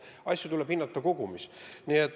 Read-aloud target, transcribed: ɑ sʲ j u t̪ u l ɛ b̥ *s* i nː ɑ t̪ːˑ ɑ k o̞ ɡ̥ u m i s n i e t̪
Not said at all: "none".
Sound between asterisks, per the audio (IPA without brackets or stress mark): h